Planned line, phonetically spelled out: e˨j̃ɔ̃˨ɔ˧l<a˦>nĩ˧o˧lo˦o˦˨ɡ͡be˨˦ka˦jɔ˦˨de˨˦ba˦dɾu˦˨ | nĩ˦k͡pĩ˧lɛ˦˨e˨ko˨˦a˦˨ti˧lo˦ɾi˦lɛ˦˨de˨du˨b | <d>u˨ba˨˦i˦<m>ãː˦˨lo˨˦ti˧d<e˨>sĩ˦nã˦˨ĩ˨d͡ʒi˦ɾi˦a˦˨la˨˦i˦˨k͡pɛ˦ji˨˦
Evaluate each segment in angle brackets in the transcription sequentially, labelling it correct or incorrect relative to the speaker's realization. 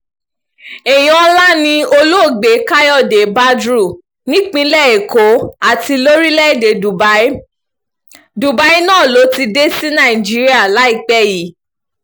correct, correct, incorrect: n, incorrect: e˦

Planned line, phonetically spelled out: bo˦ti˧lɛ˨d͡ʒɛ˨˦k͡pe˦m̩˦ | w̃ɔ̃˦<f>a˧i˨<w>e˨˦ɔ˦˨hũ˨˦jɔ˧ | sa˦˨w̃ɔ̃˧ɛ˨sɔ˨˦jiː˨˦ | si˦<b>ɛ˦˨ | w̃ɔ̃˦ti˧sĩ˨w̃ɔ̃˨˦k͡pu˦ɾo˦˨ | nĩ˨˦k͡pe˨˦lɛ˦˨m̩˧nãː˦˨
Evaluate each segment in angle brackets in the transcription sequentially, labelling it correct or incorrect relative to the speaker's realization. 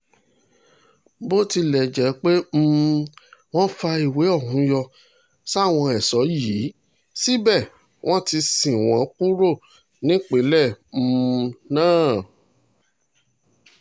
correct, correct, correct

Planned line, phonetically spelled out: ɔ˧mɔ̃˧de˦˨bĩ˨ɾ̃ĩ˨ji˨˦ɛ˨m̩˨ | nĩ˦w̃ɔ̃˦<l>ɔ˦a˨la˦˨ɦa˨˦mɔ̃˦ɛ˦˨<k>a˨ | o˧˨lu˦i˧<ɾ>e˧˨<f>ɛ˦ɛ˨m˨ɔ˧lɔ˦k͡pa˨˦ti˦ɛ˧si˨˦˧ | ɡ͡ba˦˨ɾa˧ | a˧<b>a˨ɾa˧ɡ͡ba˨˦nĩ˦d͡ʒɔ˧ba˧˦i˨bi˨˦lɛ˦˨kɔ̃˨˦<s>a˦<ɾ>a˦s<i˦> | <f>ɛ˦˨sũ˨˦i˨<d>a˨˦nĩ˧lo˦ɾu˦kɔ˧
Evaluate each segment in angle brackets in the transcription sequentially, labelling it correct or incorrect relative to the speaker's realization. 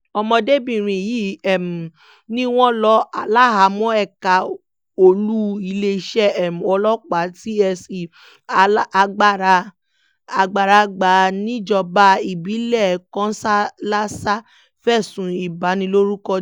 correct, correct, incorrect: l, incorrect: ʃ, incorrect: ɡ͡b, correct, incorrect: l, incorrect: a˦, correct, incorrect: b

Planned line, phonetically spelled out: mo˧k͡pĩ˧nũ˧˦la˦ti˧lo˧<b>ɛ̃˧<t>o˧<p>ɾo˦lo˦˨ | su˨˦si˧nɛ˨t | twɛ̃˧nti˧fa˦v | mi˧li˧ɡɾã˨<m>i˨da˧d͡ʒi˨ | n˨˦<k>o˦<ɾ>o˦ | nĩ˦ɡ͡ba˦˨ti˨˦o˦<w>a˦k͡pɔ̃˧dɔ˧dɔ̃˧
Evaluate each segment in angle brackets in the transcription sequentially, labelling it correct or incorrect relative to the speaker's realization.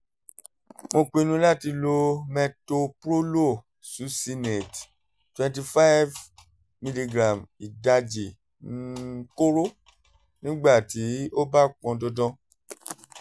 incorrect: m, correct, correct, correct, correct, correct, incorrect: b

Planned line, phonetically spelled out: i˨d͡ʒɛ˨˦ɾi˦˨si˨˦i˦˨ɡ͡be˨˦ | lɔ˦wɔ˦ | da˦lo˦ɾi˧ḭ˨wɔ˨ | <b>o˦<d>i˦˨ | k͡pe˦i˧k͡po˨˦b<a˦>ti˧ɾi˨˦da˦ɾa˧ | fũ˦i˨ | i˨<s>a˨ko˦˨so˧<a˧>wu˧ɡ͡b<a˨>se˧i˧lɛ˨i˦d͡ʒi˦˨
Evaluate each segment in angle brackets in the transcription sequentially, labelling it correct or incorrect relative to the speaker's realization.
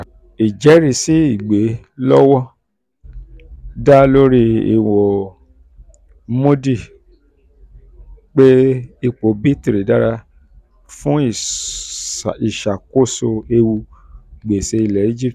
incorrect: m, correct, incorrect: i˦, incorrect: ʃ, incorrect: e˧, incorrect: e˨

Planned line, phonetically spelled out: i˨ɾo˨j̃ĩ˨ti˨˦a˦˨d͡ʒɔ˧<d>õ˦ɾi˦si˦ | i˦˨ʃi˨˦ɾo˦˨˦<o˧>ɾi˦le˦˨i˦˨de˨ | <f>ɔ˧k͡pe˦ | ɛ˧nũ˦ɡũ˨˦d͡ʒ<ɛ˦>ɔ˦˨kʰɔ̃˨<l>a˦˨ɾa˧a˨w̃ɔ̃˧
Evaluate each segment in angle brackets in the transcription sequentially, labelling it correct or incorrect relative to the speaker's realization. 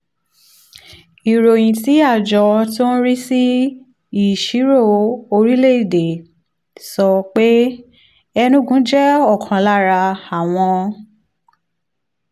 incorrect: t, correct, incorrect: s, correct, correct

